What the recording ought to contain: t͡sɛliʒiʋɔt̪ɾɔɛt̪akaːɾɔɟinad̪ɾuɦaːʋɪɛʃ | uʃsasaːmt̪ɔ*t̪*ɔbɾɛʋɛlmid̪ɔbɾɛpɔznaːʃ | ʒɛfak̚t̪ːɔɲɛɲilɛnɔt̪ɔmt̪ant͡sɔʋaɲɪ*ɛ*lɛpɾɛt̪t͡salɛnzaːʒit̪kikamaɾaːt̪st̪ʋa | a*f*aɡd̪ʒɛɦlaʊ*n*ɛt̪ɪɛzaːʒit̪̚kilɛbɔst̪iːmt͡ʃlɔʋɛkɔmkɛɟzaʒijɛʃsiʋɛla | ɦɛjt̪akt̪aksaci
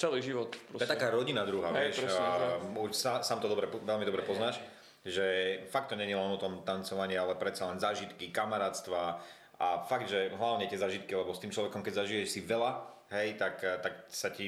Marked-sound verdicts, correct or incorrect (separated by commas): incorrect, incorrect, correct, incorrect